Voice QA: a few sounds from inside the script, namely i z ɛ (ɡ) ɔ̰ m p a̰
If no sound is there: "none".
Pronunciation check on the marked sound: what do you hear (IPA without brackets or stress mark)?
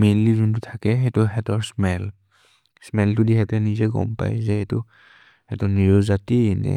ɡ